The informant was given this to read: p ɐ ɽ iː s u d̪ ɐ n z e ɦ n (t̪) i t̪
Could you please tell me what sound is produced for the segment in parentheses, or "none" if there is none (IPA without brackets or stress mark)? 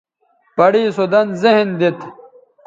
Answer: d̪